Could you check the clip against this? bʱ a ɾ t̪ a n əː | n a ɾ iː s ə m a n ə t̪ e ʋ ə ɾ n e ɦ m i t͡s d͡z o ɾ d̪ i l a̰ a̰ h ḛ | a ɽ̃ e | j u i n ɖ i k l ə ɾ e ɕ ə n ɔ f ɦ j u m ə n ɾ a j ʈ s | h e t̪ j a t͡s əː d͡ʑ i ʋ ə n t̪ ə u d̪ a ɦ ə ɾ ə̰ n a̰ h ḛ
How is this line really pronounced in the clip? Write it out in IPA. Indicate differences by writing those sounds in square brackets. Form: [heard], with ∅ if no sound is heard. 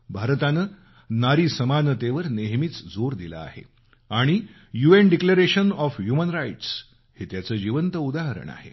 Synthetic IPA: bʱ a ɾ t̪ a n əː | n a ɾ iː s ə m a n ə t̪ e ʋ ə ɾ n e ɦ m i t͡s d͡z o ɾ d̪ i l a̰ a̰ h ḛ | a ɽ̃ [i] | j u [e] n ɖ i k l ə ɾ e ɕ ə n ɔ f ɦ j u m ə n ɾ a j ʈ s | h e t̪ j a t͡s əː d͡ʑ i ʋ ə n t̪ ə u d̪ a ɦ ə ɾ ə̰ [ɳ] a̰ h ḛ

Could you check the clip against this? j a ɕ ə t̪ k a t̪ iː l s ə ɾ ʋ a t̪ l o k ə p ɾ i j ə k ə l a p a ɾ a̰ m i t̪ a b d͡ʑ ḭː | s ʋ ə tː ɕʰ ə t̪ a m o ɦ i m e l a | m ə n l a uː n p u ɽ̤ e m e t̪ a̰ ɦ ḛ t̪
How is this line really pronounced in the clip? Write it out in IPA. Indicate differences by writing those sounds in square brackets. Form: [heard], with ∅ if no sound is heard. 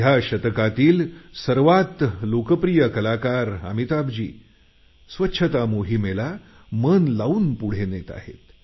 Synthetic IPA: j a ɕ ə t̪ k a t̪ iː l s ə ɾ ʋ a t̪ l o k ə p ɾ i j ə k ə l a [k] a ɾ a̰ m i t̪ a b d͡ʑ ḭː | s ʋ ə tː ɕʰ ə t̪ a m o ɦ i m e l a | m ə n l a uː n p u ɽ̤ e [n] e t̪ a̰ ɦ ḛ t̪

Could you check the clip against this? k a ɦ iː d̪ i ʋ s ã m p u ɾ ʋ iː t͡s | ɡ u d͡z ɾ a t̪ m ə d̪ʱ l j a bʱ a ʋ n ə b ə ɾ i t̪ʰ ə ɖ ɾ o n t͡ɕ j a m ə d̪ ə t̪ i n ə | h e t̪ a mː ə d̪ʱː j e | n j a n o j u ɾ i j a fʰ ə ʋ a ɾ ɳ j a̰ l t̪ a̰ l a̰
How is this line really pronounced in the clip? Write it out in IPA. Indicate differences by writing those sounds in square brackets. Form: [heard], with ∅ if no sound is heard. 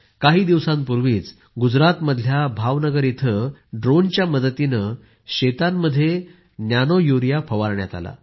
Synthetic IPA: k a ɦ iː d̪ i ʋ s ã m p u ɾ ʋ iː t͡s | ɡ u d͡z ɾ a t̪ m ə d̪ʱ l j a bʱ a ʋ n ə [ɡ] ə ɾ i t̪ʰ ə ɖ ɾ o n t͡ɕ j a m ə d̪ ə t̪ i n ə | [ɕ] e t̪ a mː ə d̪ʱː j e | n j a n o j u ɾ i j a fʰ ə ʋ a ɾ ɳ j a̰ [∅] t̪ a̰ l a̰

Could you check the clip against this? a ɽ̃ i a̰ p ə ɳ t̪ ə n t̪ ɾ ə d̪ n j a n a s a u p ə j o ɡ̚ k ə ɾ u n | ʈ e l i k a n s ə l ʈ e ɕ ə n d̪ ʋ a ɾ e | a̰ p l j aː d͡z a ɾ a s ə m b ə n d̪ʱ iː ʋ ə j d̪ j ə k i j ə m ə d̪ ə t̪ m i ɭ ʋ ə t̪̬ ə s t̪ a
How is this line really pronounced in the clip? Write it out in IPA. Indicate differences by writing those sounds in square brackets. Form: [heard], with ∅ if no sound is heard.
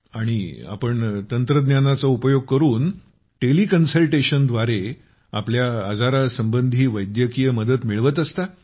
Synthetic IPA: a ɽ̃ i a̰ p ə ɳ t̪ ə n t̪ ɾ ə d̪ n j a n a [t͡s] a u p ə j o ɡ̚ k ə ɾ [uː] n | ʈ e l i k [ə] n s ə l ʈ e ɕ ə n d̪ ʋ a ɾ e | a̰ p l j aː d͡z a ɾ a s ə m b ə n d̪ʱ iː ʋ ə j d̪ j ə k i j ə m ə d̪ ə t̪ m i ɭ ʋ ə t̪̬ ə s t̪ a

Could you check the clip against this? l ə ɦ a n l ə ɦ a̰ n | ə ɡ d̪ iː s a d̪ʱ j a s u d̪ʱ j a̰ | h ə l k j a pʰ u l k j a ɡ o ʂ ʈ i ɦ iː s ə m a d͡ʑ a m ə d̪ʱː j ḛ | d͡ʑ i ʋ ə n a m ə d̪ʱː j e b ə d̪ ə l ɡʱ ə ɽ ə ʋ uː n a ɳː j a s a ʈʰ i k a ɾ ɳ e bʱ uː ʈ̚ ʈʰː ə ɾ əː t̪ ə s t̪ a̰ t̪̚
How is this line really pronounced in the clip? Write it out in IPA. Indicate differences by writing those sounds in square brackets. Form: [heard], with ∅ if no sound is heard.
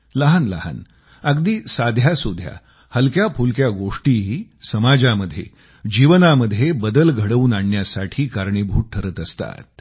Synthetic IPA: l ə ɦ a n l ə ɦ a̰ n | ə ɡ d̪ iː s a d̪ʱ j a s u d̪ʱ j a̰ | h ə l k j a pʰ u l k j a ɡ o ʂ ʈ i ɦ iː s ə m a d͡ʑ a m ə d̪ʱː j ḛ | d͡ʑ i ʋ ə n a m ə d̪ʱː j e b ə d̪ ə l ɡʱ ə ɽ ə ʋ uː n a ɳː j a s a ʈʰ [iː] k a ɾ ɳ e bʱ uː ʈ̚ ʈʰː ə ɾ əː t̪ ə s t̪ a̰ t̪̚

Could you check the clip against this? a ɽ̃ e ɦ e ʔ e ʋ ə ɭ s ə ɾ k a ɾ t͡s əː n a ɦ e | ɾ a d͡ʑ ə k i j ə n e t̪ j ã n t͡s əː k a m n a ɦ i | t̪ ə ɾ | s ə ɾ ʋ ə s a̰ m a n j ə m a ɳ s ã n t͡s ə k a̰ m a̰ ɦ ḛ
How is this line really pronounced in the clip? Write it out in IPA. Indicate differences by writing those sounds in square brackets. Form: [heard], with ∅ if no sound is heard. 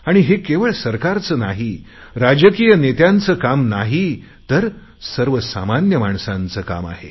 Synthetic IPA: a ɽ̃ [i] ɦ e [k] e ʋ ə ɭ s ə ɾ k a ɾ t͡s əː n a ɦ [i] | ɾ a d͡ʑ ə k i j ə n e t̪ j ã n t͡s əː k a m n a ɦ i | t̪ ə ɾ | s ə ɾ ʋ ə s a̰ m a n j ə m a ɳ s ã n t͡s ə k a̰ m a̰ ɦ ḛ

